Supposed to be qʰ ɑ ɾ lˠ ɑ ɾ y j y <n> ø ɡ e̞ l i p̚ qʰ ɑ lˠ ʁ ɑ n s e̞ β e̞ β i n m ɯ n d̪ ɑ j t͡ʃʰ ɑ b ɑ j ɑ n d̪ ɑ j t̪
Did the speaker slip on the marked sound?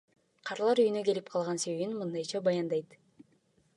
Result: no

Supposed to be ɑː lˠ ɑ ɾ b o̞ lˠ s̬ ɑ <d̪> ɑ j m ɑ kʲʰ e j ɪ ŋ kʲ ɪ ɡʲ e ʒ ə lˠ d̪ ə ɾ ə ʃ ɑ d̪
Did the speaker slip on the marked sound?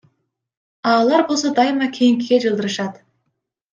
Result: no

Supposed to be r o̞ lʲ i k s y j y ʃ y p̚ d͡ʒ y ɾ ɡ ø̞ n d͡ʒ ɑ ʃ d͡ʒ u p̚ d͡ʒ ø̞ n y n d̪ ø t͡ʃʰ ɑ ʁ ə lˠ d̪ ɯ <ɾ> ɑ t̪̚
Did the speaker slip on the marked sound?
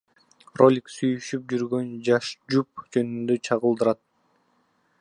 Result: no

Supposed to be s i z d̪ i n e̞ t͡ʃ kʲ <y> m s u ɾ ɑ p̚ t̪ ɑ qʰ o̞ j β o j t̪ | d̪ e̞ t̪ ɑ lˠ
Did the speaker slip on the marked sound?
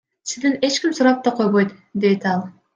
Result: yes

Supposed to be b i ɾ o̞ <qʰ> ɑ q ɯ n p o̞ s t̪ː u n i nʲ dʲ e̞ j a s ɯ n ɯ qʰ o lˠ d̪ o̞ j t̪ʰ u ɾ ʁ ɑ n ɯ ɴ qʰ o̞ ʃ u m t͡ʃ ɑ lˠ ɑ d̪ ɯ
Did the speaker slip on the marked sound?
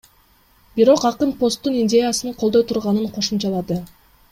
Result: yes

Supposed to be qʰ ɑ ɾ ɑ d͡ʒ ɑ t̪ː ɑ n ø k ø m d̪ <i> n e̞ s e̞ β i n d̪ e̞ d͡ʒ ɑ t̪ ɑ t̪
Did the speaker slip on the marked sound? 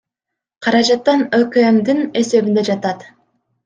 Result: no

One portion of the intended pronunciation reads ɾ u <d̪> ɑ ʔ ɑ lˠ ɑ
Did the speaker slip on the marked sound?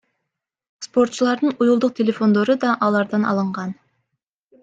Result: no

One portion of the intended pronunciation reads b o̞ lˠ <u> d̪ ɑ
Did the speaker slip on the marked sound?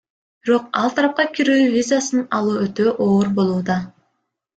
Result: yes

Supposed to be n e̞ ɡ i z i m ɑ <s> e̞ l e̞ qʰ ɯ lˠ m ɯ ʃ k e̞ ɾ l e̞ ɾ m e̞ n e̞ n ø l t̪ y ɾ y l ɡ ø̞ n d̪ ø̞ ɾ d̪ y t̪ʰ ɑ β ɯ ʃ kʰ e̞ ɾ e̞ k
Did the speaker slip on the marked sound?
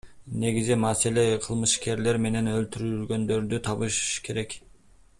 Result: no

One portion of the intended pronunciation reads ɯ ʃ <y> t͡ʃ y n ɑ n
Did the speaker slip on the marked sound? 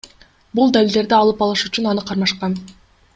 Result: no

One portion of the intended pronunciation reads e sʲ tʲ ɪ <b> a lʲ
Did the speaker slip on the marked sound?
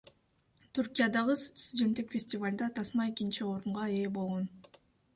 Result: yes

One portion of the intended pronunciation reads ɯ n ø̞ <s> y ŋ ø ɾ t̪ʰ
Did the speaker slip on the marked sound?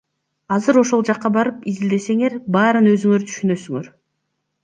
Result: yes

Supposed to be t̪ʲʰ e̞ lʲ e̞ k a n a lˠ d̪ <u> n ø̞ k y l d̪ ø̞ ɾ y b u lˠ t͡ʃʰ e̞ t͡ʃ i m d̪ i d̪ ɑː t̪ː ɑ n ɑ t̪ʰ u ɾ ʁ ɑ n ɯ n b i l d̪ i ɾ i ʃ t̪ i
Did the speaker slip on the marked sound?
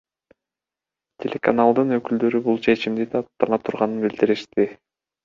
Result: yes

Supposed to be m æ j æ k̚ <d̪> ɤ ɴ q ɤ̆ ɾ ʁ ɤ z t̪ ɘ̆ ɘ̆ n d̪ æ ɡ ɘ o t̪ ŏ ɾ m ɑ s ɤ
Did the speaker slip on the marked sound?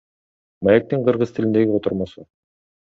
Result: yes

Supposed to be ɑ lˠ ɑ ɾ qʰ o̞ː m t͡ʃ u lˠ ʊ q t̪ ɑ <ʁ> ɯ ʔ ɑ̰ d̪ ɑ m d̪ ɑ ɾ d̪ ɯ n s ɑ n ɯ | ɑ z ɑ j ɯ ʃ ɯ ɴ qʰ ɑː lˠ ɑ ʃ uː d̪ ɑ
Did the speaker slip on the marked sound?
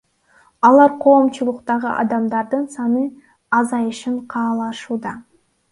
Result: no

